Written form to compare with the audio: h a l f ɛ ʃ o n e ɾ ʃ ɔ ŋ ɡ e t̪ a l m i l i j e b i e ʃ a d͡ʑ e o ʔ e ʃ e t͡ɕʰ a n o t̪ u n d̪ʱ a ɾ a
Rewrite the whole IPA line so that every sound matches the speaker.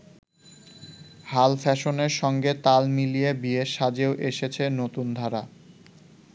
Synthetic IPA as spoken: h a l f ɛ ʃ o n e ɾ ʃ ɔ ŋ ɡ e t̪ a l m i l i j e b i e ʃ a d͡ʑ e o ʔ e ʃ e t͡ɕʰ e n o t̪ u n d̪ʱ a ɾ a